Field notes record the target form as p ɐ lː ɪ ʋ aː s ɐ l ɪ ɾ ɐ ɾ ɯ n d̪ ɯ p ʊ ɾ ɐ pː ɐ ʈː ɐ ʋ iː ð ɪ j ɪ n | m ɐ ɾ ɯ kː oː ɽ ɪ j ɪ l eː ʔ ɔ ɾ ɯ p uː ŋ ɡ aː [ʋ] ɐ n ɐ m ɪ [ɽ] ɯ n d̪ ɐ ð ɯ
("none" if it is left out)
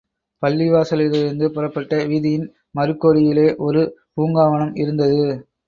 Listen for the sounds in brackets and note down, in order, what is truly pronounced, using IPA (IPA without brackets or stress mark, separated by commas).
ʋ, ɾ